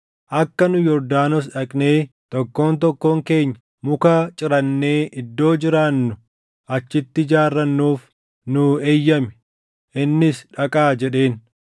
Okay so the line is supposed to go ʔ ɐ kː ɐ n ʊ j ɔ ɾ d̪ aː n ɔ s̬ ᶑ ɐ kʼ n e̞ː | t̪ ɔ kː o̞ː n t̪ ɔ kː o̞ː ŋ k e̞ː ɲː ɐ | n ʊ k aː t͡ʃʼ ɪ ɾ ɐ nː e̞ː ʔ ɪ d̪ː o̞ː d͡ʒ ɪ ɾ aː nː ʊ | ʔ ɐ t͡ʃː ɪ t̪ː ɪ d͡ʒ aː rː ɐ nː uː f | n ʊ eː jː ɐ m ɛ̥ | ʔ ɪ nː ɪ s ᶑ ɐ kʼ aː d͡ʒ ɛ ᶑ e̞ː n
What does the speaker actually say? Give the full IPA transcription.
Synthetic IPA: ʔ ɐ kː ɐ n ʊ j ɔ ɾ d̪ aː n ɔ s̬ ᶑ ɐ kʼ n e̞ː | t̪ ɔ kː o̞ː n t̪ ɔ kː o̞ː ŋ k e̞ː ɲː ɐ | m ʊ k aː t͡ʃʼ ɪ ɾ ɐ nː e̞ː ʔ ɪ d̪ː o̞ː d͡ʒ ɪ ɾ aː nː ʊ | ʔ ɐ t͡ʃː ɪ t̪ː ɪ d͡ʒ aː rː ɐ nː uː f | n ʊ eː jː ɐ m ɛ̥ | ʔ ɪ nː ɪ s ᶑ ɐ kʼ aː d͡ʒ ɛ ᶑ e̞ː n

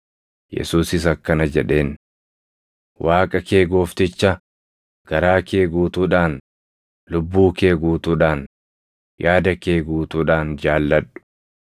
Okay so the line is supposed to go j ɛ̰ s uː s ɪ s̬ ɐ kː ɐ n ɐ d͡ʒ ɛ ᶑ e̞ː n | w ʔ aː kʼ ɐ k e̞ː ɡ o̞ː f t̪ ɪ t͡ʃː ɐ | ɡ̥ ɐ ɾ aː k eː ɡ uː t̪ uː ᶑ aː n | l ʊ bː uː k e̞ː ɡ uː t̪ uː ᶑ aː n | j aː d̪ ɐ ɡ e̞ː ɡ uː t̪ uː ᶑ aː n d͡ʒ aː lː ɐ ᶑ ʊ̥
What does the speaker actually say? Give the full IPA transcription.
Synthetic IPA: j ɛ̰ s uː s ɪ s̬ ɐ kː ɐ n ɐ d͡ʒ ɛ ᶑ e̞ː n | w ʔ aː kʼ ɐ k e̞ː ɡ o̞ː f t̪ ɪ t͡ʃː ɐ | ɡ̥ ɐ ɾ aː k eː ɡ uː t̪ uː ᶑ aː n | l ʊ bː uː k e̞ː ɡ uː t̪ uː ᶑ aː n | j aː d̪ ɐ k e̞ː ɡ uː t̪ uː ᶑ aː n d͡ʒ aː lː ɐ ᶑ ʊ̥

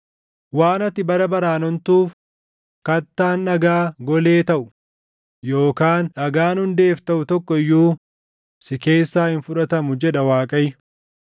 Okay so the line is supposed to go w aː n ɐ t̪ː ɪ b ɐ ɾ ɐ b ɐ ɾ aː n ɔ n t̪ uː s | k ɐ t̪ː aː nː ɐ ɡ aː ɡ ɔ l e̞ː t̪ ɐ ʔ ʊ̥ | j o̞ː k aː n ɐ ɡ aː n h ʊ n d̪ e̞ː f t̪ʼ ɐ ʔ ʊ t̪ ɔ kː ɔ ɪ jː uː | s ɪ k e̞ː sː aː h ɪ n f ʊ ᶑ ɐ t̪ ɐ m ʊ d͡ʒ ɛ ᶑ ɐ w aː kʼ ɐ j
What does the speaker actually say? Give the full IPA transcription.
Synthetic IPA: w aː n ɐ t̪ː ɪ b ɐ ɾ ɐ b ɐ ɾ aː n ɔ n t̪ uː f | k ɐ t̪ː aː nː ɐ ɡ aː ɡ ɔ l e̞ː t̪ ɐ ʔ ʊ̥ | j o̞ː k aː n ɐ ɡ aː n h ʊ n d̪ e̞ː f t̪ ɐ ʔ ʊ t̪ ɔ kː ɔ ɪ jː uː | s ɪ k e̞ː sː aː h ɪ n f ʊ ᶑ ɐ t̪ ɐ m ʊ d͡ʒ ɛ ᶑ ɐ w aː kʼ ɐ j

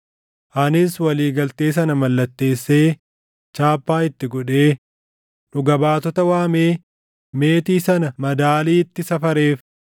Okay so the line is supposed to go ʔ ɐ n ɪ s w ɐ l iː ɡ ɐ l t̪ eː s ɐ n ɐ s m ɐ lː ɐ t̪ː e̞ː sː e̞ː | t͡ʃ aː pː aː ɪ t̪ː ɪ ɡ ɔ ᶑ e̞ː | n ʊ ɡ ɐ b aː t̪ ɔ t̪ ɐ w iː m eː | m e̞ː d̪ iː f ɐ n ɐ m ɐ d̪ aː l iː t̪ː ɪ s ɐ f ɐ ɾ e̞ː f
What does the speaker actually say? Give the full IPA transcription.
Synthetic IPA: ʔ ɐ n ɪ s w ɐ l iː ɡ ɐ l t̪ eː s ɐ n ɐ m ɐ lː ɐ t̪ː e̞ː sː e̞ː | t͡ʃ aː pː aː ɪ t̪ː ɪ ɡ ɔ ᶑ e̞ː | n ʊ ɡ ɐ b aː t̪ ɔ t̪ ɐ w aː m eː | m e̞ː t̪ iː s ɐ n ɐ m ɐ d̪ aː l iː t̪ː ɪ s ɐ f ɐ ɾ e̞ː f

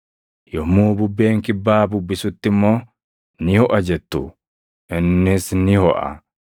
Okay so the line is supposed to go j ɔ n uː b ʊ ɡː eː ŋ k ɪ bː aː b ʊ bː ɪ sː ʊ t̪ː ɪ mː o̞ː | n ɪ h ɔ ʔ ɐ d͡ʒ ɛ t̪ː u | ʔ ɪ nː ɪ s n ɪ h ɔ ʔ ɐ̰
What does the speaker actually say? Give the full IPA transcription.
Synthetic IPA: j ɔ m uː b ʊ bː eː ŋ k ɪ bː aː b ʊ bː ɪ s ʊ t̪ː ɪ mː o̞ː | n ɪ h ɔ ʔ ɐ d͡ʒ ɛ t̪ː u | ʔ ɪ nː ɪ s n ɪ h ɔ ʔ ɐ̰

